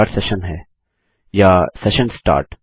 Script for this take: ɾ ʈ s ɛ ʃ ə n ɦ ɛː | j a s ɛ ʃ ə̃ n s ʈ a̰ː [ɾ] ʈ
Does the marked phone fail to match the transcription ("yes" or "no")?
no